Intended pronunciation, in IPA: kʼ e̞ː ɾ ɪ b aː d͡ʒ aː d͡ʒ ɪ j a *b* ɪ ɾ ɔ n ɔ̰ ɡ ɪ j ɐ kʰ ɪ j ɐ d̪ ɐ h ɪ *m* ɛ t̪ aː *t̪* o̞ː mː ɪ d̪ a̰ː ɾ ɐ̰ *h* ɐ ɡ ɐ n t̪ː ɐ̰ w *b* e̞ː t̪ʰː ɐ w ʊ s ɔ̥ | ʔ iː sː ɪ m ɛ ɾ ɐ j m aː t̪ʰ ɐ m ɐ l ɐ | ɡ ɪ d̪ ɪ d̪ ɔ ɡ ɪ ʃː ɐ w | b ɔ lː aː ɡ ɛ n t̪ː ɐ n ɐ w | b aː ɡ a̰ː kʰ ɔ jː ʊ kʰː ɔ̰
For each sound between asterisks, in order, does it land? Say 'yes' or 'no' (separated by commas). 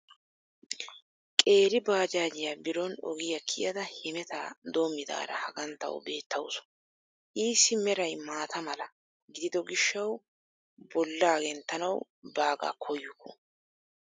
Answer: yes, yes, no, yes, yes